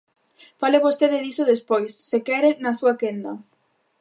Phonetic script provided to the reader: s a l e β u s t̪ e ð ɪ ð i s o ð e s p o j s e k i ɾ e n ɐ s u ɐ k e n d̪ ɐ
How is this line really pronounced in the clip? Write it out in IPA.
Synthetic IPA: f a l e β o s t̪ e ð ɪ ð i s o ð e s p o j sː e k ɛ ɾ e n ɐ s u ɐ k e n d̪ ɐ

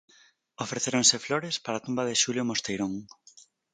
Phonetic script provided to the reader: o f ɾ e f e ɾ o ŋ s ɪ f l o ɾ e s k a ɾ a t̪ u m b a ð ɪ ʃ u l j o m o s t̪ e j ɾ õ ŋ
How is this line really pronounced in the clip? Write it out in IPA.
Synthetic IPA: o f ɾ e θ e ɾ o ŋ s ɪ f l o ɾ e s p a ɾ a t̪ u m b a ð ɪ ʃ u l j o m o s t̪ e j ɾ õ ŋ

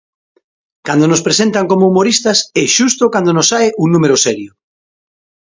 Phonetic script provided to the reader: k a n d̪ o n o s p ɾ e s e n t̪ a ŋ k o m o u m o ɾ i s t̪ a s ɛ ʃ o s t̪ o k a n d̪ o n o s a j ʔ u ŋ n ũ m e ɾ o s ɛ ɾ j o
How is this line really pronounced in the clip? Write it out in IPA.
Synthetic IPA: k a n d̪ o n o s p ɾ e s e n t̪ a ŋ k o m o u m o ɾ i s t̪ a s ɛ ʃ u s t̪ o k a n d̪ o n o s a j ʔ u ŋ n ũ m e ɾ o s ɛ ɾ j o

